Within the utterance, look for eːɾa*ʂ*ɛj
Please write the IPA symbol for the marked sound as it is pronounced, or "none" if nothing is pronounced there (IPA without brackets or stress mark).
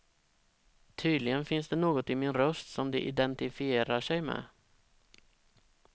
ʂ